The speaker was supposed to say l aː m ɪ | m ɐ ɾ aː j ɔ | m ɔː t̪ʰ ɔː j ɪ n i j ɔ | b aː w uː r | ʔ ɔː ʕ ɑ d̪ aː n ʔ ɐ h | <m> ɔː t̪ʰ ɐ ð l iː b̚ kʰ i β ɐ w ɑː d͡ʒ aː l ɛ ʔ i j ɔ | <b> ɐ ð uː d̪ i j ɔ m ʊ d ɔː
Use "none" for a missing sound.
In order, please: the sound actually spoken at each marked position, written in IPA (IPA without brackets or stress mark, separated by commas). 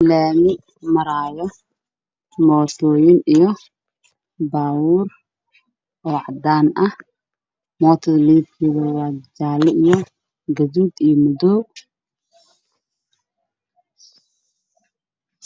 m, ɡ